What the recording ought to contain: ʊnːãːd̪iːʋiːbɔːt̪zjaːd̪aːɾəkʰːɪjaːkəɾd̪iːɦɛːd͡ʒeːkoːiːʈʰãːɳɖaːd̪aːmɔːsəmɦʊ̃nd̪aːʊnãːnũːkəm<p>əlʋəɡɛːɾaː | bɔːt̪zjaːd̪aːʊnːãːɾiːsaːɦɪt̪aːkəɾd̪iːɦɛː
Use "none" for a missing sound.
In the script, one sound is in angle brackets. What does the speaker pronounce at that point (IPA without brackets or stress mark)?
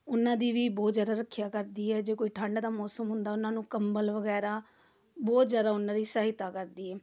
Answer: b